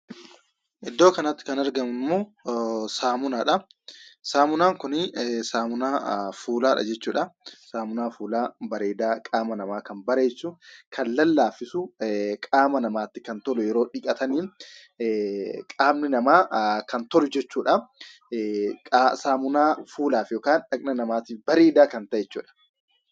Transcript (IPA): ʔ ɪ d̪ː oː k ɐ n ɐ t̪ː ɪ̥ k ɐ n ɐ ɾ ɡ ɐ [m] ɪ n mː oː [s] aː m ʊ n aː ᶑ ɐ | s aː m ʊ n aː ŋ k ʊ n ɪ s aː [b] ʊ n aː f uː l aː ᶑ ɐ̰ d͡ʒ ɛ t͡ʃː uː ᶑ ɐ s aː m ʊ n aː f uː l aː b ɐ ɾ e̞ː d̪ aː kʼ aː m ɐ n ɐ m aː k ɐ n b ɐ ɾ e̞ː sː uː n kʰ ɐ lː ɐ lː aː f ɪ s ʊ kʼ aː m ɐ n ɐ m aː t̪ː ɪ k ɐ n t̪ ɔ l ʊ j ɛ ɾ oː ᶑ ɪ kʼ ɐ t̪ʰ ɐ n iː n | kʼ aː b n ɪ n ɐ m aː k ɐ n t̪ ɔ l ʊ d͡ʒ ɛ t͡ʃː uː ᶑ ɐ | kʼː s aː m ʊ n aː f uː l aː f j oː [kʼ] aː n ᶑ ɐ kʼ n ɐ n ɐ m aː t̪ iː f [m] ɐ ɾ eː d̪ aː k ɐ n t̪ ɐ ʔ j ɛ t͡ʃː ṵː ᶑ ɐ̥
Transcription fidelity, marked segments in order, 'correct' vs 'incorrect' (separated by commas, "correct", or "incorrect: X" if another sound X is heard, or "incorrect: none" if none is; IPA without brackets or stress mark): correct, correct, incorrect: m, incorrect: k, incorrect: b